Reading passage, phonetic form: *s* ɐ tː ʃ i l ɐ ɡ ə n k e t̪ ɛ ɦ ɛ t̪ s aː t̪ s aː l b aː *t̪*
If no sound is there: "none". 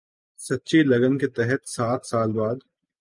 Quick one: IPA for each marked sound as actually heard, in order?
s, d̪

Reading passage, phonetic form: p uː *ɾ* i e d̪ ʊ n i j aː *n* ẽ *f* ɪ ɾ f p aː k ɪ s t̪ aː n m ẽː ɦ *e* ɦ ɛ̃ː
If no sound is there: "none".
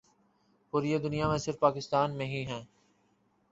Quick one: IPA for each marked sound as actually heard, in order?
ɾ, m, s, i

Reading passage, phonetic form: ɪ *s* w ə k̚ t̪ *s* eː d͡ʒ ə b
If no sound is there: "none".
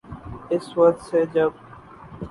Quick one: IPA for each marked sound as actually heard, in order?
s, s

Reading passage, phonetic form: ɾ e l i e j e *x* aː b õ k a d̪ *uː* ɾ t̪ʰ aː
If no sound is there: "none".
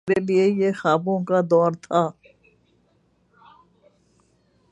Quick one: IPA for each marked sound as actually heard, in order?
x, ɔː

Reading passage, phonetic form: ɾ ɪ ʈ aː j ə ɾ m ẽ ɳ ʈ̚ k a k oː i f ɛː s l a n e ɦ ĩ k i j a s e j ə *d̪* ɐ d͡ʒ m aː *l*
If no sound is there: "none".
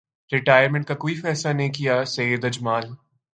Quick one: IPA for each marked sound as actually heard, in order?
d̪, l

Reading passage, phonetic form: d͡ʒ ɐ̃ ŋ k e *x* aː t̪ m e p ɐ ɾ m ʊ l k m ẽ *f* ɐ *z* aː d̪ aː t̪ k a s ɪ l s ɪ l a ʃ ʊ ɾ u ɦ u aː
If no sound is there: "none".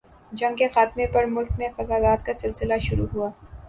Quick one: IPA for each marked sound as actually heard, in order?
x, f, z

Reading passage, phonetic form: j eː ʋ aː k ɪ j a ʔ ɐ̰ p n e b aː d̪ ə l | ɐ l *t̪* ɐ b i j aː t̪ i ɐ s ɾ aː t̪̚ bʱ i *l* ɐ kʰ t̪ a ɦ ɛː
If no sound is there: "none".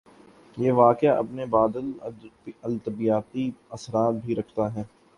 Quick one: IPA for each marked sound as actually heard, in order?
t̪, ɾ

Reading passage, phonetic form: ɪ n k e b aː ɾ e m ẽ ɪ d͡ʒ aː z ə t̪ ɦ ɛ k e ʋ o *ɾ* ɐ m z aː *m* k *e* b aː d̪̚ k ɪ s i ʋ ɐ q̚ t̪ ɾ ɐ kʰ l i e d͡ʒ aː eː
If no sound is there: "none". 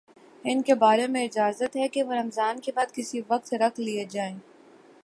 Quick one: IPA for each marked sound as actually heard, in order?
ɾ, n, e

